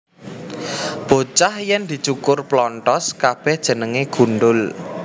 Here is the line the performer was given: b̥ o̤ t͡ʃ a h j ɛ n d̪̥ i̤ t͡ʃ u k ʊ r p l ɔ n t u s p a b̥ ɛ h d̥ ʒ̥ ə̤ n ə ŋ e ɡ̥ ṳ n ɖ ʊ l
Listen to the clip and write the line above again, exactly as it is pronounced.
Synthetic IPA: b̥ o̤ t͡ʃ a h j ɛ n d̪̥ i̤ t͡ʃ u k ʊ r p l ɔ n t ɔ s k a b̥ ɛ h d̥ ʒ̥ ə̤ n ə ŋ e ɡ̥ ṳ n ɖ ʊ l